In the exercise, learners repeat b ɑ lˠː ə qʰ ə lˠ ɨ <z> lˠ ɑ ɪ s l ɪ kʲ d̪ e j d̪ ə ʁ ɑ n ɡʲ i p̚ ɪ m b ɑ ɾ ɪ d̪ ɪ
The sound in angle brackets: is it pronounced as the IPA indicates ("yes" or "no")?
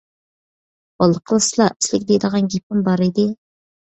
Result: no